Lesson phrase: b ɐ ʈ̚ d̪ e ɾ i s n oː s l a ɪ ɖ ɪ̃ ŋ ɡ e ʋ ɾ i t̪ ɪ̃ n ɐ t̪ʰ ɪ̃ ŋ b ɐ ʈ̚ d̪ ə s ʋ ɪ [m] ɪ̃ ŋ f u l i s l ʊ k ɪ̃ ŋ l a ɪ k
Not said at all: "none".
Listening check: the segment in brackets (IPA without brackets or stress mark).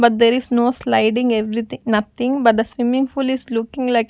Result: m